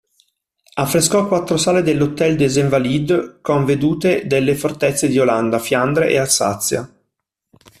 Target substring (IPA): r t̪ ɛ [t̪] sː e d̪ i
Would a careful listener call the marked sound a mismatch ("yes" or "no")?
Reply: no